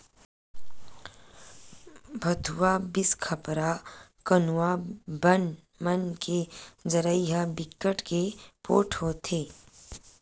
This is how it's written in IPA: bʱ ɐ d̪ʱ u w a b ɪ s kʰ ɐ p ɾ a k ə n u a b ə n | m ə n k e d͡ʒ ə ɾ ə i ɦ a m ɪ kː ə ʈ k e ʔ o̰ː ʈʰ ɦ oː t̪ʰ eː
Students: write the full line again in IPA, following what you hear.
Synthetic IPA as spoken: bʱ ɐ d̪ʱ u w a b ɪ s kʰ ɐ p ɾ a k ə n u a b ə n | m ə n k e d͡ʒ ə ɾ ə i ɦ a b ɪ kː ə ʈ k e p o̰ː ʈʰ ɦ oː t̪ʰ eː